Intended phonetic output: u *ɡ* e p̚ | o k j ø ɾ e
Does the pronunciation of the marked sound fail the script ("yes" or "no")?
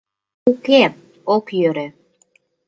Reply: yes